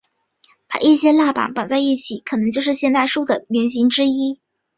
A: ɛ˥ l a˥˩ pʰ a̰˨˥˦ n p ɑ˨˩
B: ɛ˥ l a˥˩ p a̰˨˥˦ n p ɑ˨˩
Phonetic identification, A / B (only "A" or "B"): B